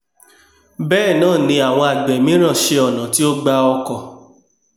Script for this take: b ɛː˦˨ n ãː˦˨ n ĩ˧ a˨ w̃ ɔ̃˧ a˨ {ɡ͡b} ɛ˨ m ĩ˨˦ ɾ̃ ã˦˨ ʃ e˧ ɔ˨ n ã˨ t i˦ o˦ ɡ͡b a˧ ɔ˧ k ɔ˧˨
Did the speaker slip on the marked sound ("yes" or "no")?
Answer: no